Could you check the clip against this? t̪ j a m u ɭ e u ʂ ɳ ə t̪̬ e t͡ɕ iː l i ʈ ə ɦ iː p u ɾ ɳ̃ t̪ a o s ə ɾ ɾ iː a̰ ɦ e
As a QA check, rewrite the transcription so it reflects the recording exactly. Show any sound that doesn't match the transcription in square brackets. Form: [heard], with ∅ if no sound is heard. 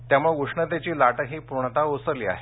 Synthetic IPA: t̪ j a m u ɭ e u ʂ ɳ ə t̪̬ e t͡ɕ iː l [a] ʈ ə ɦ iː p u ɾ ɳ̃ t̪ a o s ə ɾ [l] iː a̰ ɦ e